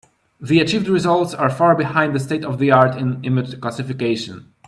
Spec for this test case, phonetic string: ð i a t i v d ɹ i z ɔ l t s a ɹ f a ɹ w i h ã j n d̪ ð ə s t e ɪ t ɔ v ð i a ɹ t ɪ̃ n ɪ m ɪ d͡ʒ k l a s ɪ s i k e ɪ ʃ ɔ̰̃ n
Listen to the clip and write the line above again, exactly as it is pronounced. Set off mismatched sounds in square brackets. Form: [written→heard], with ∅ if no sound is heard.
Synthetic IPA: ð i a [t→t͡ʃ] i v d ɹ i z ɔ l t s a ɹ f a ɹ [w→b] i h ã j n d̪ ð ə s t e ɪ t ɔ v ð i a ɹ t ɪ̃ n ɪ m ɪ d͡ʒ k l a s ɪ [s→f] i k e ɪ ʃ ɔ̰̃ n